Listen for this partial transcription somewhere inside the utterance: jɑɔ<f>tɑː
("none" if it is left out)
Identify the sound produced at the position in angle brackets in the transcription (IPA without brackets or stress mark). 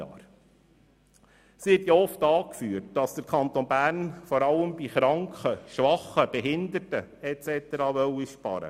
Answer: f